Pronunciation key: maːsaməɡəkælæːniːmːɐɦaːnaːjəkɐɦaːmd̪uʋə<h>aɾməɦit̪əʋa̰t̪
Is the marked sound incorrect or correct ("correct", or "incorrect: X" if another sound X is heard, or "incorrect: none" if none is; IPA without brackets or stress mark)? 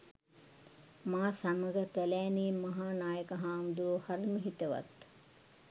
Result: correct